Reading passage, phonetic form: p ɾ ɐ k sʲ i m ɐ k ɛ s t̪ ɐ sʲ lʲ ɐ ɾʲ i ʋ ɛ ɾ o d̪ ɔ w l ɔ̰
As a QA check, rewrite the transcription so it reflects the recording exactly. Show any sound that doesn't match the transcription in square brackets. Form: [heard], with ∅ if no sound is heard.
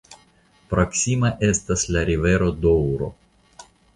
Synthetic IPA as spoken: p ɾ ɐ k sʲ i m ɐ [ʔ] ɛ s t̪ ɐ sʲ lʲ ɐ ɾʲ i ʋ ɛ ɾ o d̪ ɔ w [ɾ] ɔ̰

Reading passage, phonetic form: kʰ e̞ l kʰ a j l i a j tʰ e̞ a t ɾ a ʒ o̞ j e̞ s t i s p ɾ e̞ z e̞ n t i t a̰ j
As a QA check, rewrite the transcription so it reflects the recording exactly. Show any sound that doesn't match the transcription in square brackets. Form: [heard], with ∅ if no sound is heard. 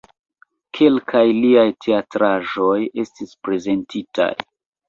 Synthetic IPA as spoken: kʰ e̞ l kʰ a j l i a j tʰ e̞ a t ɾ a ʒ o̞ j e̞ s t i s p ɾ e̞ z e̞ n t i t a̰ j

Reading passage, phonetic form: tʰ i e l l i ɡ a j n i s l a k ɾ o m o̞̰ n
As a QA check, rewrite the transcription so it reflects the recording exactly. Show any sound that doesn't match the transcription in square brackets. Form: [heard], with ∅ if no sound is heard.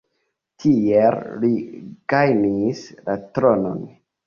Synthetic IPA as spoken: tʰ i e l l i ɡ a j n i s l a [t] ɾ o [n] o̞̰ n

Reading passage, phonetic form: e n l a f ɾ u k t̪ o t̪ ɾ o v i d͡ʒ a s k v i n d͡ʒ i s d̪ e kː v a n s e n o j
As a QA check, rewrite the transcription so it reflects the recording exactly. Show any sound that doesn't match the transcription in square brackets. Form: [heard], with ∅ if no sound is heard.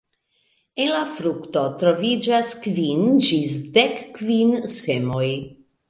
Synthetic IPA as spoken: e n l a f ɾ u k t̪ o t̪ ɾ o v i d͡ʒ a s k v i n d͡ʒ i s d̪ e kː v [i] n s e [m] o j

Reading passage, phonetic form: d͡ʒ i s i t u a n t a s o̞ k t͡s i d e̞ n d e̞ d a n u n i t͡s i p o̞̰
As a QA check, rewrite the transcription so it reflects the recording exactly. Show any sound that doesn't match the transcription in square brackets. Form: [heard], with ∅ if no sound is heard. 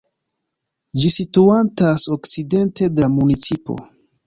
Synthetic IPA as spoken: d͡ʒ i s i t u a n t a s o̞ k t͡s i d e̞ n [t] e̞ d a [m] u n i t͡s i p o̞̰

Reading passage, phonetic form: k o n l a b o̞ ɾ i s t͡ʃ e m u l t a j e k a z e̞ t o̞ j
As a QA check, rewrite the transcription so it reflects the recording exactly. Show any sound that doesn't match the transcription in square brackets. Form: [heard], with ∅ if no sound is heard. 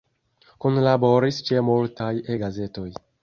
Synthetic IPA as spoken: k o n l a b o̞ ɾ i s t͡ʃ e m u l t a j e [ɡ] a z e̞ t o̞ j

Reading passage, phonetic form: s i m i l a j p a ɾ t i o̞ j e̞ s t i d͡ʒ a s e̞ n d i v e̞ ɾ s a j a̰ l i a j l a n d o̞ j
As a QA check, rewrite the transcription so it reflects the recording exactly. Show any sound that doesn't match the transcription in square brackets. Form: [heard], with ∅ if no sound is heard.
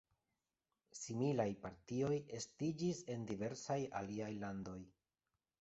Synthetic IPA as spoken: s i m i l a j p a ɾ t i o̞ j e̞ s t i d͡ʒ [i] s e̞ n d i v e̞ ɾ s a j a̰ l i a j l a n d o̞ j

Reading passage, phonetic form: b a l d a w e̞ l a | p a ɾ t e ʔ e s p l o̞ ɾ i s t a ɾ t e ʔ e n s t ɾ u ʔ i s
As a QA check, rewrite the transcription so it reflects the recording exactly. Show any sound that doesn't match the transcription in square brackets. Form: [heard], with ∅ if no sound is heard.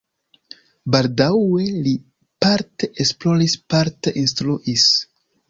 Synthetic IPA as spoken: b a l d a w e̞ l [i] | p a ɾ t e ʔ e s p l o̞ ɾ i s [p] a ɾ t e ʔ [i] n s t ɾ u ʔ i s

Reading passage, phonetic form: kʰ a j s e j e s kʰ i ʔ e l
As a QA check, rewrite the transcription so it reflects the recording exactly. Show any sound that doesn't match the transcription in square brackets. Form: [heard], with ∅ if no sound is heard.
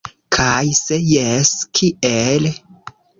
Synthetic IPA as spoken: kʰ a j s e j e s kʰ i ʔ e l

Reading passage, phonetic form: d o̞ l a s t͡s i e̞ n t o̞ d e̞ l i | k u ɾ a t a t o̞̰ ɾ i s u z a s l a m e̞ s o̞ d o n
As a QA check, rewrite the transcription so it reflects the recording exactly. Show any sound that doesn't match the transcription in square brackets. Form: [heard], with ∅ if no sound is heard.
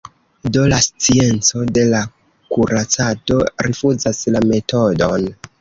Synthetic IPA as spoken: d o̞ l a s t͡s i e̞ n [t͡s] o̞ d e̞ l [a] | k u ɾ a [t͡s] a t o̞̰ ɾ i [f] u z a s l a m e̞ [t] o̞ d o n

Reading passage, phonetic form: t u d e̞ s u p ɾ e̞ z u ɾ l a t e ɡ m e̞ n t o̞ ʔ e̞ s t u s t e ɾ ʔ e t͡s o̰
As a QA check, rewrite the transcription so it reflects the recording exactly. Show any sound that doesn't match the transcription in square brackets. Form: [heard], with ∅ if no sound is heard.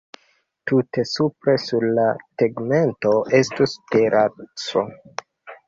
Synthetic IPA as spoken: t u [t] e̞ s u p ɾ e̞ [s] u ɾ l a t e ɡ m e̞ n t o̞ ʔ e̞ s t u s t e ɾ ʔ [a] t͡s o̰

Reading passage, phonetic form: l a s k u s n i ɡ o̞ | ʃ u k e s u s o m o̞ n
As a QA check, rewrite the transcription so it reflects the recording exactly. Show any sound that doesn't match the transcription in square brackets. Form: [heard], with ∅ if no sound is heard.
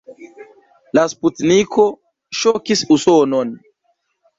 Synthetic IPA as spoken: l a s [p] u [t] n i [k] o̞ | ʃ [o] k [i] s u s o [n] o̞ n

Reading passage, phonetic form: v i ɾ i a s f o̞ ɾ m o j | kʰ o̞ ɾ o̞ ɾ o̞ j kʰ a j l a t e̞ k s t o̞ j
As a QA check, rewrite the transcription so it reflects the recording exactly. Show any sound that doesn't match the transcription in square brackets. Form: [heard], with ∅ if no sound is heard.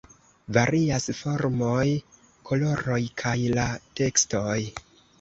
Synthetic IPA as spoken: v [a] ɾ i a s f o̞ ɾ m o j | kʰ o̞ [l] o̞ ɾ o̞ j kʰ a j l a t e̞ k s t o̞ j

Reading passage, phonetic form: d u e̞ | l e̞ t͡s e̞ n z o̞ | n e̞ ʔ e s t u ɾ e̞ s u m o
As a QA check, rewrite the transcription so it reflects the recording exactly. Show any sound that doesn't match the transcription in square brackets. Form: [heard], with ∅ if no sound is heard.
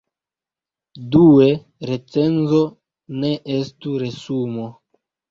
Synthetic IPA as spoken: d u e̞ | [ɾ] e̞ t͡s e̞ n z o̞ | n e̞ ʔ e s t u ɾ e̞ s u m o

